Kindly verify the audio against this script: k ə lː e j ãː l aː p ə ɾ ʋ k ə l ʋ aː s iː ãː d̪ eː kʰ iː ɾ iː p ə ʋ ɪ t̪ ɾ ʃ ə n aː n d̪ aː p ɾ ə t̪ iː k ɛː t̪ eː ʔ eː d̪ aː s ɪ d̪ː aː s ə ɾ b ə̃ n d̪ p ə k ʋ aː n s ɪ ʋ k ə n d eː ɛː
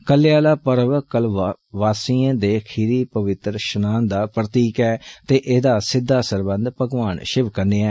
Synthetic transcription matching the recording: k ə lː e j aː l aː p ə ɾ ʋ k ə l ʋ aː s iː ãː d̪ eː kʰ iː ɾ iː p ə ʋ ɪ t̪ ɾ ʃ ə n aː n d̪ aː p ɾ ə t̪ iː k ɛː t̪ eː ʔ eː d̪ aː s ɪ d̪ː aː s ə ɾ b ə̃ n d̪ p ə ɡ ʋ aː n ʃ ɪ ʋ k ə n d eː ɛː